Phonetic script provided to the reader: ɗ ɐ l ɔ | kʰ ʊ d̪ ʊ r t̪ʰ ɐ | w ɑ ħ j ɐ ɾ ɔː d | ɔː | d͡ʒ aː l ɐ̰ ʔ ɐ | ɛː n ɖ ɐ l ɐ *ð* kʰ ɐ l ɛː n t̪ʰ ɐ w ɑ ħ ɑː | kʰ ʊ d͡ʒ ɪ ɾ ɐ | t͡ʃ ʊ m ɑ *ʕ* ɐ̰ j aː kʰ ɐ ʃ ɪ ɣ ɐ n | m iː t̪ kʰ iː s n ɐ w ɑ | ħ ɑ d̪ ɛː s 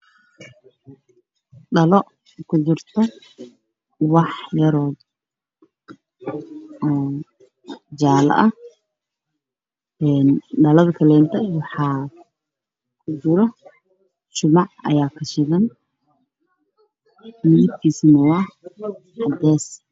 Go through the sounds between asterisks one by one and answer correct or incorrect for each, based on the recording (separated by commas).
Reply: correct, correct